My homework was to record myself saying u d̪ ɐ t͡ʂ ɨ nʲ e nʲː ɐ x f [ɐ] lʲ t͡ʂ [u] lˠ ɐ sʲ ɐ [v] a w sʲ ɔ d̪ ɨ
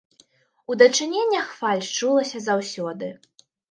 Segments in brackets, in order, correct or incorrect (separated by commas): incorrect, correct, incorrect